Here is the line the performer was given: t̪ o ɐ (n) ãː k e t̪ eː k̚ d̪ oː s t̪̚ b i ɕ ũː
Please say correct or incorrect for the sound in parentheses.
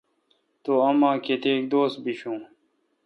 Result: incorrect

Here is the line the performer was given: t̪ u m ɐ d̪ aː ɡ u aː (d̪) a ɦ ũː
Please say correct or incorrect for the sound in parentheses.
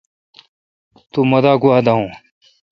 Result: correct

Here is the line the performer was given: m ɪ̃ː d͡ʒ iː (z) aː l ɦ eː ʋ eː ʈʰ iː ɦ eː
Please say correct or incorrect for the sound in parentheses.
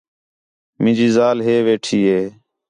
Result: correct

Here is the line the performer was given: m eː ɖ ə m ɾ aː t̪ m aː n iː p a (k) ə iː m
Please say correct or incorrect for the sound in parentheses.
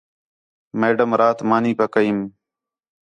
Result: correct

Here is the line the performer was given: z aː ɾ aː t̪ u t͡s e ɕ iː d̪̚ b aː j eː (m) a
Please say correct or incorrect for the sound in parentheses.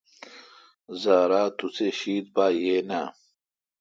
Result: incorrect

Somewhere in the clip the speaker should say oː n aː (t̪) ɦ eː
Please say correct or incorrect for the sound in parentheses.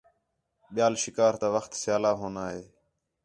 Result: incorrect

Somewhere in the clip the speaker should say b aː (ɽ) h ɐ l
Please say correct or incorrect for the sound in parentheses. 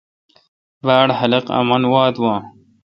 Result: correct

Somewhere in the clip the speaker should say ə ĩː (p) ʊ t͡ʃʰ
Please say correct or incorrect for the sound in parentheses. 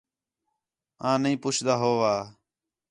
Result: correct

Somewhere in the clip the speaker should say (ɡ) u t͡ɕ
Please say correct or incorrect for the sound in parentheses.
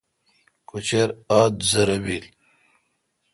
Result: incorrect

